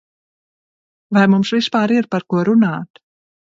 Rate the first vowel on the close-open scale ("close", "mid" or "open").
open